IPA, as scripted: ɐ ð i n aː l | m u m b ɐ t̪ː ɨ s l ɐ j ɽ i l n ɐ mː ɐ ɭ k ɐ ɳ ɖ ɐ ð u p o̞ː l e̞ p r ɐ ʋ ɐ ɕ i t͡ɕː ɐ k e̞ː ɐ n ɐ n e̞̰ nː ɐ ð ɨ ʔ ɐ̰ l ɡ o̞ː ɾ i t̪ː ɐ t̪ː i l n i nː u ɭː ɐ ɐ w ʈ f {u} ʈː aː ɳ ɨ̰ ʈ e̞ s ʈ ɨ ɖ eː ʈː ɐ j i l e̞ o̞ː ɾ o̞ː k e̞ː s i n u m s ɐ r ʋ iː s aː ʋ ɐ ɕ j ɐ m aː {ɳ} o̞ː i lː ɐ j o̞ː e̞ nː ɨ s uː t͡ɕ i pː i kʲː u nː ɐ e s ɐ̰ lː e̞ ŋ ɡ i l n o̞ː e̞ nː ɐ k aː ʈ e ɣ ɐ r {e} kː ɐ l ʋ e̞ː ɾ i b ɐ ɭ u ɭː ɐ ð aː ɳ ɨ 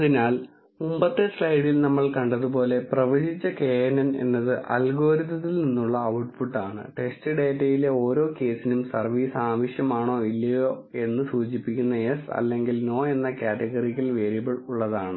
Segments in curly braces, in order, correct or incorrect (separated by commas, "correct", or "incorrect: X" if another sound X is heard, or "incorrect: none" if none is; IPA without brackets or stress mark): correct, correct, incorrect: i